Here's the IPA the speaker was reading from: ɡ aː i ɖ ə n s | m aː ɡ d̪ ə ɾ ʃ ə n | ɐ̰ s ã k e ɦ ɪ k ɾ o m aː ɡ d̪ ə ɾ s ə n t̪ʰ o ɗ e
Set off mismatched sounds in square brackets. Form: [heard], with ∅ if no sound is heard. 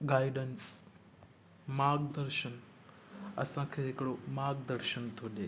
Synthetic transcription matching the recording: ɡ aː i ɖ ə n s | m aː ɡ d̪ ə ɾ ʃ ə n | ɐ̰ s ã [kʰ] e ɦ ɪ k [ɽ] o m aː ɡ d̪ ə ɾ [ʃ] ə n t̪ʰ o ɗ e

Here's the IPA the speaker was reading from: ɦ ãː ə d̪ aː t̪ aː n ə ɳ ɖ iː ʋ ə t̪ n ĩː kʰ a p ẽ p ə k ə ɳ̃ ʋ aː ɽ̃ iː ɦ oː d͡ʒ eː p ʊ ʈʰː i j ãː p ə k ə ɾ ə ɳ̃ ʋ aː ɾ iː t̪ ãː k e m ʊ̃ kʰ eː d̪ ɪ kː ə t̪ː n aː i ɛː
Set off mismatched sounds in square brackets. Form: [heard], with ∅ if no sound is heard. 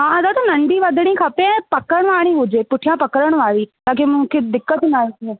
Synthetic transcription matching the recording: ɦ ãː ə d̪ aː t̪ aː n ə ɳ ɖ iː ʋ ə [d̪] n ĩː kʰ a p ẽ p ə k ə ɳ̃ ʋ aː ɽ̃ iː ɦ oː d͡ʒ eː p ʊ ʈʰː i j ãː p ə k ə ɾ ə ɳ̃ ʋ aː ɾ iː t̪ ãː k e m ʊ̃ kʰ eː d̪ ɪ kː ə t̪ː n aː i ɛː

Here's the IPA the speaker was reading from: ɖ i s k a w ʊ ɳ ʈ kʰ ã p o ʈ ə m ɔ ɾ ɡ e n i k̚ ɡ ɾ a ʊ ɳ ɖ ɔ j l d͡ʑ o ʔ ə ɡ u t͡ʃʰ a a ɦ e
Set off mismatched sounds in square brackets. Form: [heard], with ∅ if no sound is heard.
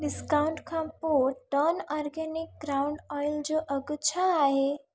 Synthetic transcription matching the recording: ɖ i s k a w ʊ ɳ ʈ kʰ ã p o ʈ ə [n] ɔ ɾ ɡ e n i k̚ ɡ ɾ a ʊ ɳ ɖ ɔ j l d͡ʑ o ʔ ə ɡ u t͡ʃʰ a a ɦ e

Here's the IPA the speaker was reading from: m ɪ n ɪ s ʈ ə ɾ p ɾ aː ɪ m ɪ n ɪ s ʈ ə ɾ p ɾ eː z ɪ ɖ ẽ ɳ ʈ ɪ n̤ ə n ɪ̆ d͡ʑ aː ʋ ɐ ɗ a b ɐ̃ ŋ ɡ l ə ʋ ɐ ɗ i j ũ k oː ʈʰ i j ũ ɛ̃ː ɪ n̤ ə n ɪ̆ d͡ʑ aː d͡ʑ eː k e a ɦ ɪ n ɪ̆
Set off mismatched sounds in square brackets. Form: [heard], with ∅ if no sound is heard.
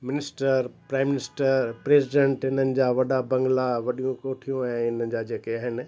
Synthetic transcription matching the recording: m ɪ n ɪ s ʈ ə ɾ p ɾ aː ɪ m ɪ n ɪ s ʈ ə ɾ p ɾ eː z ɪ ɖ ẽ ɳ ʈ ɪ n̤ ə n ɪ̆ d͡ʑ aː ʋ ɐ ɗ a b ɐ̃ ŋ ɡ l [a] ʋ ɐ ɗ i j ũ k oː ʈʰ i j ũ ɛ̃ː ɪ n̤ ə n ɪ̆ d͡ʑ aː d͡ʑ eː k e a ɦ ɪ n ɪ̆

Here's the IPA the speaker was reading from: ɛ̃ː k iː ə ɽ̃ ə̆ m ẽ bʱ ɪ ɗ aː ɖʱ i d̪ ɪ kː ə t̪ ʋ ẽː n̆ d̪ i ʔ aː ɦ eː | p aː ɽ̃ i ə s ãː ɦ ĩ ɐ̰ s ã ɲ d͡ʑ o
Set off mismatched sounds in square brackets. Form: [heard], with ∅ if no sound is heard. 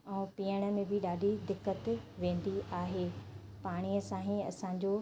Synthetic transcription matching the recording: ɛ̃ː [p] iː ə ɽ̃ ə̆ m ẽ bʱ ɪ ɗ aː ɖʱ i d̪ ɪ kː ə t̪ ʋ ẽː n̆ d̪ i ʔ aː ɦ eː | p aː ɽ̃ i ə s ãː ɦ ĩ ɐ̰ s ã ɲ d͡ʑ o

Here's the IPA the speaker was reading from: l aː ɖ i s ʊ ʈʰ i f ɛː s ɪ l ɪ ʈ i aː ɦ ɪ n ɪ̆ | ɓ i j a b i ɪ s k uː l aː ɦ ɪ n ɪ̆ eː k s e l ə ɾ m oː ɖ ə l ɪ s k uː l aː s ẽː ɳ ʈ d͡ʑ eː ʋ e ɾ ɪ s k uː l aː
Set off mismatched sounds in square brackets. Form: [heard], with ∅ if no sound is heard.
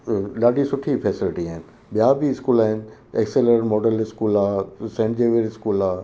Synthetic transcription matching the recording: l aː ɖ i s ʊ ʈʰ i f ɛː s ɪ l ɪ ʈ i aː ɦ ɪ n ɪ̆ | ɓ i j a b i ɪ s k uː l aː ɦ ɪ n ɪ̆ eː k s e l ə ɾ m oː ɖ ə l ɪ s k uː l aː s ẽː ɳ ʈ d͡ʑ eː ʋ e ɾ ɪ s k uː l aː

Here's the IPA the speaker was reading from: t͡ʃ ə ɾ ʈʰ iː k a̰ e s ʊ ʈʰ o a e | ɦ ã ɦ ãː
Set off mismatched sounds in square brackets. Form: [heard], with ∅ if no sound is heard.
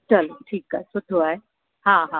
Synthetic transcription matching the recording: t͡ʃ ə [l] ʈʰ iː k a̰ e s ʊ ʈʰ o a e | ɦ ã ɦ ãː

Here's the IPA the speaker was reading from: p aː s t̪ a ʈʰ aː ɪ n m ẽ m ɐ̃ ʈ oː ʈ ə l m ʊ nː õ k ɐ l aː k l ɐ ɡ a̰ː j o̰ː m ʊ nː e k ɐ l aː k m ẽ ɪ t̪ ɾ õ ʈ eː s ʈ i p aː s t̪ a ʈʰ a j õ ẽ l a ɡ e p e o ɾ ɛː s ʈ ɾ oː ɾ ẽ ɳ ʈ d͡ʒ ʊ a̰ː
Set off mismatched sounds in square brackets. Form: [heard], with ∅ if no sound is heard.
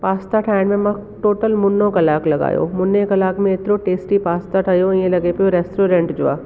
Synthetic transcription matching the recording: p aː s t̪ a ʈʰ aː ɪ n m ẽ m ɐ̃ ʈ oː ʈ ə l m ʊ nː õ k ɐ l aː k l ɐ ɡ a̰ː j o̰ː m ʊ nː e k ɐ l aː k m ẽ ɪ t̪ ɾ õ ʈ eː s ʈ i p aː s t̪ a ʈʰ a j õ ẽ l [ɐ] ɡ e p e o ɾ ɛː s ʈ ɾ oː ɾ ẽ ɳ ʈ d͡ʒ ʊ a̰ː

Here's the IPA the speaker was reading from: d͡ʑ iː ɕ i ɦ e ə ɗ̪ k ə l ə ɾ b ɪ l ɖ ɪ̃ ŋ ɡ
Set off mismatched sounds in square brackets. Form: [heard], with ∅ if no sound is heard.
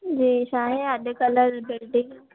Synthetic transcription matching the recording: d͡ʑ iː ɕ [a] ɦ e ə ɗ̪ k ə l ə ɾ b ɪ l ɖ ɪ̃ ŋ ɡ

